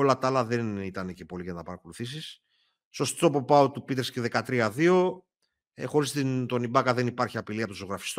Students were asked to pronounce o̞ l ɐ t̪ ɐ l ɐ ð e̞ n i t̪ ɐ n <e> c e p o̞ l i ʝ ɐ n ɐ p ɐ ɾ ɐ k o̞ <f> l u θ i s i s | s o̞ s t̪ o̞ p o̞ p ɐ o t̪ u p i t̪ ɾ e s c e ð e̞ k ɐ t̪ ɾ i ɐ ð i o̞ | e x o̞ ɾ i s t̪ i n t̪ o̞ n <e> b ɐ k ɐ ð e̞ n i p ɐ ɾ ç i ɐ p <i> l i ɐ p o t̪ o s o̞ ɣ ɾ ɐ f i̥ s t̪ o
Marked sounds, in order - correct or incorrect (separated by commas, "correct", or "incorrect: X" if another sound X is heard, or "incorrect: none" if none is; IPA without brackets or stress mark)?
correct, incorrect: none, incorrect: i, correct